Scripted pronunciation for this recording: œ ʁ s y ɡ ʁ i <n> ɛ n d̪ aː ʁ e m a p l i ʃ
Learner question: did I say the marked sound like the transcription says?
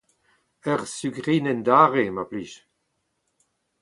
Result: yes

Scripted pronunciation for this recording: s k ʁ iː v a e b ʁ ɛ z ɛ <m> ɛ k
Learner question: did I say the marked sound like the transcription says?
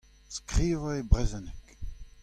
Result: no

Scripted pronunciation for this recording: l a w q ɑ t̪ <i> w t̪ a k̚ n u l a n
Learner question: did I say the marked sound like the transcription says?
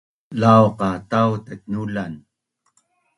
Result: no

